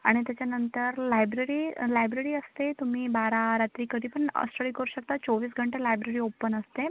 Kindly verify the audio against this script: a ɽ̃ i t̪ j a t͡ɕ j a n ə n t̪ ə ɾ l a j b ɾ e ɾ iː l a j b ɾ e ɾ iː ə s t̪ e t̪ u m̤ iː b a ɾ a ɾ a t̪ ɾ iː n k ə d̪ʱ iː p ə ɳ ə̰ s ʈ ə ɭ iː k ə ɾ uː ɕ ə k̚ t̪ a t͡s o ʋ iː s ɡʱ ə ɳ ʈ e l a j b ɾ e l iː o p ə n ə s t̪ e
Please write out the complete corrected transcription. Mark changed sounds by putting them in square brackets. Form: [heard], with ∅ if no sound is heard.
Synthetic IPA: a ɽ̃ i t̪ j a t͡ɕ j a n ə n t̪ ə ɾ l a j b ɾ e ɾ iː l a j b ɾ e ɾ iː ə s t̪ e t̪ u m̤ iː b a ɾ a ɾ a t̪ ɾ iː [∅] k ə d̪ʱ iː p ə ɳ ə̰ s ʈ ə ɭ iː k ə ɾ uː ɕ ə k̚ t̪ a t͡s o ʋ iː s ɡʱ ə ɳ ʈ e l a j b ɾ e [ɾ] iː o p ə n ə s t̪ e

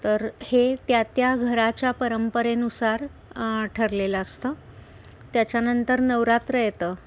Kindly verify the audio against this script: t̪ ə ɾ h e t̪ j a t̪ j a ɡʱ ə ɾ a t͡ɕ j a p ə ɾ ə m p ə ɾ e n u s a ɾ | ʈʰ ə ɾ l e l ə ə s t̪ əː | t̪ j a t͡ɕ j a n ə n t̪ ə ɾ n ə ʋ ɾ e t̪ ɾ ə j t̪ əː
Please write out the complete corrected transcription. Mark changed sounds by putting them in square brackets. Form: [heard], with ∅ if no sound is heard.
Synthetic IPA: t̪ ə ɾ h e t̪ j a t̪ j a ɡʱ ə ɾ a t͡ɕ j a p ə ɾ ə m p ə ɾ e n u s a ɾ | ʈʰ ə ɾ l e l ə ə s t̪ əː | t̪ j a t͡ɕ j a n ə n t̪ ə ɾ n ə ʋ ɾ [a] t̪ ɾ ə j t̪ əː

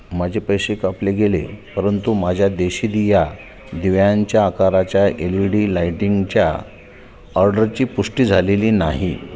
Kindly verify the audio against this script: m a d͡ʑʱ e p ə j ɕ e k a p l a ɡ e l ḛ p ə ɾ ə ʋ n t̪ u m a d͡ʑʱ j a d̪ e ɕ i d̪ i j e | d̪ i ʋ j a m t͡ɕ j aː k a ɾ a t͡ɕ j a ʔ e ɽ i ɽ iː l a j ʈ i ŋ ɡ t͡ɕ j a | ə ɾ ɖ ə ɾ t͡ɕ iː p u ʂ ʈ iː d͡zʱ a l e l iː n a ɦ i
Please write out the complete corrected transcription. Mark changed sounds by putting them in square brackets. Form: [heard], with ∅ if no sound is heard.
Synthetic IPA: m a d͡ʑʱ e p ə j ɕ e k a p l [e] ɡ e l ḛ p ə ɾ ə [∅] n t̪ u m a d͡ʑʱ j a d̪ e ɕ i d̪ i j [a] | d̪ i ʋ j a [ɲ] t͡ɕ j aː k a ɾ a t͡ɕ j a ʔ e [l] i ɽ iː l a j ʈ i ŋ ɡ t͡ɕ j a | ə ɾ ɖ ə ɾ t͡ɕ iː p u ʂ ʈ iː d͡zʱ a l e l iː n a ɦ i

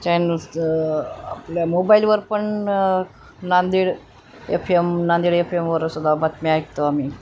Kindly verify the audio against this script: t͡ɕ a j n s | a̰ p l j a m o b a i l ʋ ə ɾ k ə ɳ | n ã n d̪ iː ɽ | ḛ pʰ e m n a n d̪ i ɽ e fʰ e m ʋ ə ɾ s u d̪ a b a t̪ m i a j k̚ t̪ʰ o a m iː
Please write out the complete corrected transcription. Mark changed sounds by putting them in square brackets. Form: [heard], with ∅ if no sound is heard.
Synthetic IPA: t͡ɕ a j n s | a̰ p l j a m o b a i l ʋ ə ɾ [p] ə ɳ | n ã n d̪ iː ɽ | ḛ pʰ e m n a n d̪ i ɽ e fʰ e m ʋ ə ɾ s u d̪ a b a t̪ m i a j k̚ [t̪] o a m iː

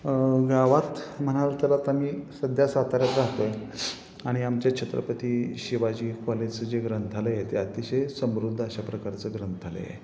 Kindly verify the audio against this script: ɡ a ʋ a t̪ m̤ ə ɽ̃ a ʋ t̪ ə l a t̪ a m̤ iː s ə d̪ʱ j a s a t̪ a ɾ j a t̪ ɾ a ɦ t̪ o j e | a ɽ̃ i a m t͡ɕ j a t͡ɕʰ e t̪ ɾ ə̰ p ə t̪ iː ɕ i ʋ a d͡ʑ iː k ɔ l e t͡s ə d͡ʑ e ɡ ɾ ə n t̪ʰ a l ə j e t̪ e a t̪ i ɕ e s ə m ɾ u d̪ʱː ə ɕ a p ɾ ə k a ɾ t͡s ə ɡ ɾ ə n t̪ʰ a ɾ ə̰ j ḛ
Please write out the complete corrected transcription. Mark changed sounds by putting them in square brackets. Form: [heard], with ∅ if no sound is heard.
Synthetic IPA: ɡ a ʋ a t̪ m̤ ə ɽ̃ a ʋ t̪ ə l a t̪ a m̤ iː s ə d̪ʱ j a s a t̪ a ɾ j a t̪ ɾ a ɦ t̪ o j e | a ɽ̃ i a m t͡ɕ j a t͡ɕʰ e t̪ ɾ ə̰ p ə t̪ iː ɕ i ʋ a d͡ʑ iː k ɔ l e t͡s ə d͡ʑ e ɡ ɾ ə n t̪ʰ a l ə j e t̪ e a t̪ i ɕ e s ə m ɾ u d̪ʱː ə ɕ a p ɾ ə k a ɾ t͡s ə ɡ ɾ ə n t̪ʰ a [l] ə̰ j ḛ

